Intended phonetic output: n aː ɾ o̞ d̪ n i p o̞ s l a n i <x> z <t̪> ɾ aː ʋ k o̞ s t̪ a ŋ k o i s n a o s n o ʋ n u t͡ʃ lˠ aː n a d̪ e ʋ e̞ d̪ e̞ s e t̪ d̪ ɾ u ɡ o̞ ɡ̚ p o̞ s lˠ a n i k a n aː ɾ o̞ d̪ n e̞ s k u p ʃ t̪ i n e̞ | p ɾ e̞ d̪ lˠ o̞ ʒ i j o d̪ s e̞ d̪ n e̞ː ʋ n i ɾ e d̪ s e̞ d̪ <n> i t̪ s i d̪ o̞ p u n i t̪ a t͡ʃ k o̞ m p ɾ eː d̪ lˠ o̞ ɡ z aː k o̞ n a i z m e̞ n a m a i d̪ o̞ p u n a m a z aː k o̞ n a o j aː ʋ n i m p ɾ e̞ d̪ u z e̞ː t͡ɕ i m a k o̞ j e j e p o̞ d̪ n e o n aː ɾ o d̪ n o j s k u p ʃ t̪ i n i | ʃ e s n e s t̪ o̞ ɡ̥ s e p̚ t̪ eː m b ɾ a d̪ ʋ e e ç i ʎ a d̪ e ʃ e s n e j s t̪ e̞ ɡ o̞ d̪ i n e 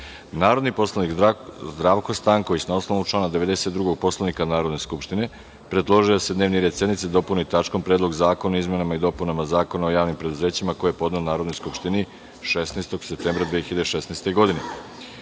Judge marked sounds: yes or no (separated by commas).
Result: no, no, yes